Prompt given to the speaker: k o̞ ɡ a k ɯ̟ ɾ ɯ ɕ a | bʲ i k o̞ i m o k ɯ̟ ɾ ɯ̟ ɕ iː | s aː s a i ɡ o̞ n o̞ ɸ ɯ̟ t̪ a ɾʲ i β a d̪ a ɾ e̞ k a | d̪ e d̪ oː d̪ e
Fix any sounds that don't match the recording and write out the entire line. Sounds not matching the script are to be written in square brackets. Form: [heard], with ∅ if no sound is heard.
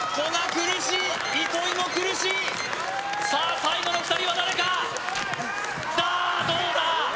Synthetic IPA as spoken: k o̞ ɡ a k ɯ̟ ɾ ɯ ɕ [i] | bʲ i k o̞ i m o k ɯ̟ ɾ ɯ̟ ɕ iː | s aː s a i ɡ o̞ n o̞ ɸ ɯ̟ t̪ a ɾʲ i β a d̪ a ɾ e̞ k a | d̪ [a] d̪ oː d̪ [a]

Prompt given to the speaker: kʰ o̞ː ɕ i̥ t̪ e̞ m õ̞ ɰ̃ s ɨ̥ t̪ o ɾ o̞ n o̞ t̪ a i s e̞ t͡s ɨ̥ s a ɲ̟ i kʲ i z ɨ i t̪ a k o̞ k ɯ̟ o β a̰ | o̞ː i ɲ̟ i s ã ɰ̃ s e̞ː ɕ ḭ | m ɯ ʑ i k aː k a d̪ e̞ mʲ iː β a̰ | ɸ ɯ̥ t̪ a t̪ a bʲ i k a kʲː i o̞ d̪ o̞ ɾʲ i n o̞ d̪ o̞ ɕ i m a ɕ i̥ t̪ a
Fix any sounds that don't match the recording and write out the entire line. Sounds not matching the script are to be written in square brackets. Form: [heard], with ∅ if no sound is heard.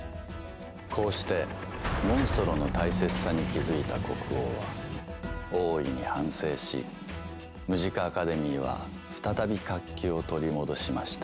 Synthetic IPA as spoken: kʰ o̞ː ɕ i̥ t̪ e̞ m õ̞ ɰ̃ s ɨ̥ t̪ o ɾ o̞ n o̞ t̪ a i s e̞ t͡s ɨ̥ s a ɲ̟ i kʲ i z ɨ i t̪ a k o̞ k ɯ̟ o β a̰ | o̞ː i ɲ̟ i [h] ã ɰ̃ s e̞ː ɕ ḭ | m ɯ ʑ i k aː k a d̪ e̞ mʲ iː β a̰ | ɸ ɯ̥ t̪ a t̪ a bʲ i k a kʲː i o̞ [t̪] o̞ ɾʲ i [m] o̞ d̪ o̞ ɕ i m a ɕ i̥ t̪ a

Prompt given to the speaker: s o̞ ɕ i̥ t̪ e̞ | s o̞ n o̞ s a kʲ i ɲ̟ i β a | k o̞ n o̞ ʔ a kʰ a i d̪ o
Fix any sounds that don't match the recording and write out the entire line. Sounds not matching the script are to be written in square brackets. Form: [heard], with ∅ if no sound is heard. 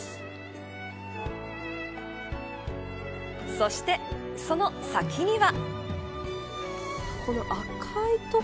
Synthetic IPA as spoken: s o̞ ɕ i̥ t̪ e̞ | s o̞ n o̞ s a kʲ i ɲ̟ i β a | k o̞ n o̞ ʔ a kʰ a i [t̪] o

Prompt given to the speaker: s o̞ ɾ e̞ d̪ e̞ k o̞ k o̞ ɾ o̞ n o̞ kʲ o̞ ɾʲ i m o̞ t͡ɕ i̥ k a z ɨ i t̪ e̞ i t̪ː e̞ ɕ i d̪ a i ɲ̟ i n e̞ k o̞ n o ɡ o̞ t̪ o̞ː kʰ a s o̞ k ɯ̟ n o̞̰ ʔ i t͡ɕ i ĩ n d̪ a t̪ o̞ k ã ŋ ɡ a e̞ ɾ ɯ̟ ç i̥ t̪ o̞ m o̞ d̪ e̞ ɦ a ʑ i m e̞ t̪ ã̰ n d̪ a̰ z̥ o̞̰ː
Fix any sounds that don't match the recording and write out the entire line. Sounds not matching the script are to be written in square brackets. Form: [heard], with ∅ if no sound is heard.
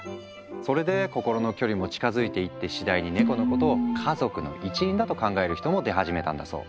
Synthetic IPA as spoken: s o̞ ɾ e̞ d̪ e̞ k o̞ k o̞ ɾ o̞ n o̞ kʲ o̞ ɾʲ i m o̞ t͡ɕ i̥ k a z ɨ i t̪ e̞ i t̪ː e̞ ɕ i d̪ a i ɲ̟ i n e̞ k o̞ n o [k] o̞ t̪ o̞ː kʰ a [z] o̞ k ɯ̟ n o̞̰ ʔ i t͡ɕ i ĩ n d̪ a t̪ o̞ k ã ŋ ɡ a e̞ ɾ ɯ̟ ç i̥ t̪ o̞ m o̞ d̪ e̞ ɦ a ʑ i m e̞ t̪ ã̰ n d̪ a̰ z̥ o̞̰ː

